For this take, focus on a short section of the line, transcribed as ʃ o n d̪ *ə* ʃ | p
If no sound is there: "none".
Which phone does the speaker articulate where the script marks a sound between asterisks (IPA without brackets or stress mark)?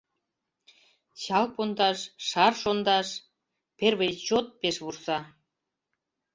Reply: ɑ